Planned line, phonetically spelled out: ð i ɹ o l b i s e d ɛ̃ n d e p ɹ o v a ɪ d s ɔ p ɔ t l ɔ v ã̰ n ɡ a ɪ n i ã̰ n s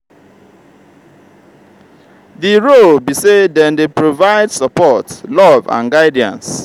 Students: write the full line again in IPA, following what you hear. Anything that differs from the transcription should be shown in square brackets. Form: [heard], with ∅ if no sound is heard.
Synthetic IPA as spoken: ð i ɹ o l b i s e d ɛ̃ n d e p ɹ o v a ɪ d s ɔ p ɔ t l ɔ v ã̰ n ɡ a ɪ [d] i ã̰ n s